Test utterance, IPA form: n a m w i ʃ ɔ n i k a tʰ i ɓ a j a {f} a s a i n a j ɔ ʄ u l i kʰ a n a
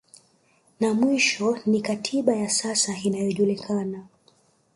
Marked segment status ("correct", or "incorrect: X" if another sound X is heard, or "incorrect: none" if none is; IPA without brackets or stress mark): incorrect: s